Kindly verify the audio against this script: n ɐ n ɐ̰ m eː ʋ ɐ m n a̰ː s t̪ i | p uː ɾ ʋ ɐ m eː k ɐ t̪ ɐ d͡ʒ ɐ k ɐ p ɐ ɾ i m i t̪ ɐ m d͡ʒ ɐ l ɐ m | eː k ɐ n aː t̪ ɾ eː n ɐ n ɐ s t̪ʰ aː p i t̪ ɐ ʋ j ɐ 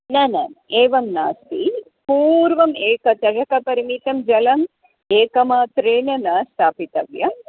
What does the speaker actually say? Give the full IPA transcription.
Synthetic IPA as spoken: n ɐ n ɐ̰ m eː ʋ ɐ m n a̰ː s t̪ i | p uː ɾ ʋ ɐ m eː k ɐ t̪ ɐ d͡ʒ ɐ k ɐ p ɐ ɾ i m i t̪ ɐ m d͡ʒ ɐ l ɐ m | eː k ɐ m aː t̪ ɾ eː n ɐ n ɐ s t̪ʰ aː p i t̪ ɐ ʋ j ɐ